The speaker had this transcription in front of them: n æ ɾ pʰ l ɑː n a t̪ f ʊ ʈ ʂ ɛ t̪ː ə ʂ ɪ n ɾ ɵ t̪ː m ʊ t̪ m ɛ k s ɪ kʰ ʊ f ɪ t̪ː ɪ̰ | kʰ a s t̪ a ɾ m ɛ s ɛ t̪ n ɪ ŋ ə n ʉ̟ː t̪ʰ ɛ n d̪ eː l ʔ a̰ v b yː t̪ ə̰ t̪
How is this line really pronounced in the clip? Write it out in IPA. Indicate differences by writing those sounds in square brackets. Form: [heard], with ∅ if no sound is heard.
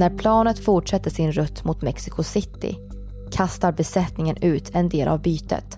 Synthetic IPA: n æ ɾ pʰ l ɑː n [ə] t̪ f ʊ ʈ ʂ ɛ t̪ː ə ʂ ɪ n ɾ ɵ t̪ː m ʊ t̪ m ɛ k s ɪ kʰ ʊ [s] ɪ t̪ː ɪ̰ | kʰ a s t̪ a ɾ [b] ɛ s ɛ t̪ n ɪ ŋ ə n ʉ̟ː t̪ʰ ɛ n d̪ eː l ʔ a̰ v b yː t̪ ə̰ t̪